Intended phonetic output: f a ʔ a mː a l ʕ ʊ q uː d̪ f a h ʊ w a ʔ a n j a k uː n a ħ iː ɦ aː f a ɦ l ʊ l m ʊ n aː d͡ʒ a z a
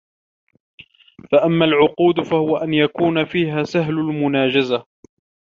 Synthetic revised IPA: f a ʔ a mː a l ʕ ʊ q uː d̪ f a h ʊ w a ʔ a n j a k uː n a f iː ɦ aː s a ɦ l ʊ l m ʊ n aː d͡ʒ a z a